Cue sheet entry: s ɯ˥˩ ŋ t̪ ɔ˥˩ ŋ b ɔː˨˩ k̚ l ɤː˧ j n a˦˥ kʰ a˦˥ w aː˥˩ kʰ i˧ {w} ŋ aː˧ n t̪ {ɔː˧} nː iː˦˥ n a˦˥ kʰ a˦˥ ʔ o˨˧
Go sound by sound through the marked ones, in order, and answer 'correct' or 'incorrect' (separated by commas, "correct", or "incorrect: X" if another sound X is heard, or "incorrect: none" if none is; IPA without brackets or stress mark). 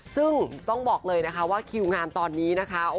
correct, correct